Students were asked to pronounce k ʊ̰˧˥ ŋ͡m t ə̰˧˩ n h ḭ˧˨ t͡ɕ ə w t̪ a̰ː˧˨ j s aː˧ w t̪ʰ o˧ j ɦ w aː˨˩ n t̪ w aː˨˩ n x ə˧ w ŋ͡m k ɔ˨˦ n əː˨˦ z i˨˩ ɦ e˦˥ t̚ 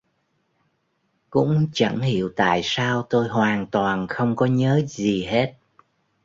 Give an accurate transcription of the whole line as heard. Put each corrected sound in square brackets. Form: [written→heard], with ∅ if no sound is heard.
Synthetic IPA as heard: k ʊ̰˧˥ ŋ͡m [t→t͡ɕ] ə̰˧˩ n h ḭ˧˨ [t͡ɕ→∅] ə w t̪ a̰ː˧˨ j s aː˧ w [t̪ʰ→t̪] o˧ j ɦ w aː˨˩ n t̪ w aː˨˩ n x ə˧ w ŋ͡m k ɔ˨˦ [n→ɲ] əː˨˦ z i˨˩ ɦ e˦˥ t̚